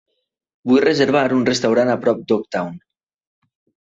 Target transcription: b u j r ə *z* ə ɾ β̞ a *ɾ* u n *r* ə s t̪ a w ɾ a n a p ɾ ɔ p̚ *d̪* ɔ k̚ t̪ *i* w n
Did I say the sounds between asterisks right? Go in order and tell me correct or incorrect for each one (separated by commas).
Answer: correct, correct, correct, correct, incorrect